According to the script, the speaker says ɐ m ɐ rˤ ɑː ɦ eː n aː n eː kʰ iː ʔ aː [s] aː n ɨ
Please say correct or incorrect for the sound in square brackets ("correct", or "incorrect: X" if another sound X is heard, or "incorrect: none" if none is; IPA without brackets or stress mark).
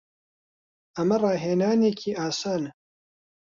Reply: correct